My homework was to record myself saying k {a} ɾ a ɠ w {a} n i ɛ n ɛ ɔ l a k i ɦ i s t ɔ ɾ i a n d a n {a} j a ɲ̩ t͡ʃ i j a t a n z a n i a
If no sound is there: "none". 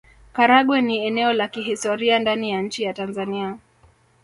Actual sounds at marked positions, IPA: a, ɛ, i

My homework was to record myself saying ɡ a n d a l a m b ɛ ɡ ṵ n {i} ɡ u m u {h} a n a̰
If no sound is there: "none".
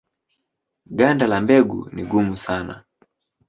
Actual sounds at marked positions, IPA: i, s

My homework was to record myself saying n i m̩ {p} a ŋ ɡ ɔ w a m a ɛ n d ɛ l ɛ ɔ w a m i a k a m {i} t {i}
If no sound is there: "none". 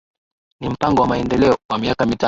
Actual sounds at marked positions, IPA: p, i, a

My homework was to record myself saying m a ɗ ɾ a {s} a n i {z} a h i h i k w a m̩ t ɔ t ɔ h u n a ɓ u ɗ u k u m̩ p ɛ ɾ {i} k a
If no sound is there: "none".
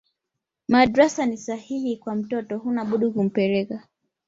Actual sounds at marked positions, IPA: s, s, ɛ

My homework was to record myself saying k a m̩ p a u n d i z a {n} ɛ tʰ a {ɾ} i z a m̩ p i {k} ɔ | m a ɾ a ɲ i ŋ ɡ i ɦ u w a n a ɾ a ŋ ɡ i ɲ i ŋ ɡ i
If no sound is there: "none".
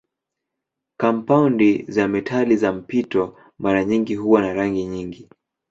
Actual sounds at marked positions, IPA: m, l, t

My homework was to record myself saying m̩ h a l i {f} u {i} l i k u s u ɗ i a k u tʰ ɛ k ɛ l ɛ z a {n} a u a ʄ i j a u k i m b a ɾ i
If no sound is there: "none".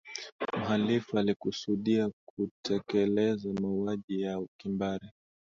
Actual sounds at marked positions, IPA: f, a, m

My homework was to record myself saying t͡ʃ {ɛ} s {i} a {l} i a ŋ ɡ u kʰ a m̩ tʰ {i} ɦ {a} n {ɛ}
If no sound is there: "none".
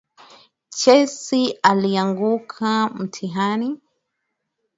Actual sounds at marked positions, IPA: ɛ, i, l, i, a, i

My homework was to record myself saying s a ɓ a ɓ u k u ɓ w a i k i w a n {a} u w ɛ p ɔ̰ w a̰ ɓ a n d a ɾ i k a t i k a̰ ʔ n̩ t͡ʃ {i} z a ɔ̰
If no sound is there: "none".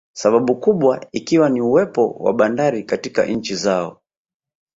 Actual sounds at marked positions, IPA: i, i

